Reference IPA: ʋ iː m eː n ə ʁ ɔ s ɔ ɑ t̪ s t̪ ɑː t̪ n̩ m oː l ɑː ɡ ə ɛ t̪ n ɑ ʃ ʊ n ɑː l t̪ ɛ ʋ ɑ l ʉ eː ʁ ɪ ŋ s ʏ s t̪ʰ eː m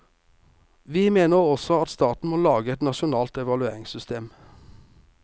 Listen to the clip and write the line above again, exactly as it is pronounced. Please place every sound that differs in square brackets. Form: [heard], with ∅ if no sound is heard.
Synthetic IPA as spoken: ʋ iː m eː n ə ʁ ɔ s ɔ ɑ t̪ s t̪ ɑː t̪ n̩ m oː l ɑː ɡ ə ɛ t̪ n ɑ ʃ ʊ n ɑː l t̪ ɛ ʋ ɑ l ʉ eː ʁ ɪ ŋ s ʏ s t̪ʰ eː m